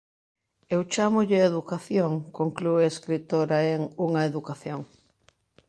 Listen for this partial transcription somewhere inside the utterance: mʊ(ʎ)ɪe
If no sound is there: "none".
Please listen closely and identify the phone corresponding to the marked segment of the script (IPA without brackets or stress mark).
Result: ʎ